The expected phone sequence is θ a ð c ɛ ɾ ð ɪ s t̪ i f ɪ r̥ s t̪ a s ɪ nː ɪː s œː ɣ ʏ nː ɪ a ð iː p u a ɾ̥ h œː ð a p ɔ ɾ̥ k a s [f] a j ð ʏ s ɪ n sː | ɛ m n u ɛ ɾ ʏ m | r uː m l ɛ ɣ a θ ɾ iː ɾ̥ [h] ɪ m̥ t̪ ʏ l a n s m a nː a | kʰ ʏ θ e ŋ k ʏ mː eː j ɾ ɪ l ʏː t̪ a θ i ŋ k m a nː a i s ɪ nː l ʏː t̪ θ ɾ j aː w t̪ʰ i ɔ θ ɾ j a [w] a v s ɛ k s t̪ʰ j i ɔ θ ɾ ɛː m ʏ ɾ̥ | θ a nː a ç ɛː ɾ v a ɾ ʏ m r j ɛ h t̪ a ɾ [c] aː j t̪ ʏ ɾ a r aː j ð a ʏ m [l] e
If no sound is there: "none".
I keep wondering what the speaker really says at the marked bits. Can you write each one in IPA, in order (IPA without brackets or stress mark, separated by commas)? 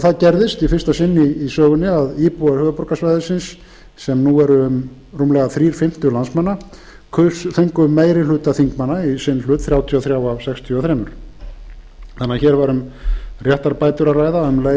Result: v, f, w, p, l